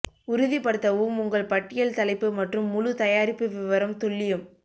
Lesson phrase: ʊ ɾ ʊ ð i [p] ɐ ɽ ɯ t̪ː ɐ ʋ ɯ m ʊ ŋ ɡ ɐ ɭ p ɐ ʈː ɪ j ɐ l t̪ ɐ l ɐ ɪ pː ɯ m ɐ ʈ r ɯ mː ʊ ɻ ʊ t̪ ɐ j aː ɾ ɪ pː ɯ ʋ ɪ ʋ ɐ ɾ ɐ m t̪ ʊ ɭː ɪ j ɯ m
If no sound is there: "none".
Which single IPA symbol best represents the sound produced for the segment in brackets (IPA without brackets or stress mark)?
p